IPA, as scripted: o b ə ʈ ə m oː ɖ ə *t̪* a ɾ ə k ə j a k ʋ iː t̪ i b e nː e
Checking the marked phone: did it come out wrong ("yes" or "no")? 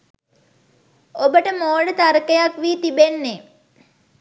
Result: no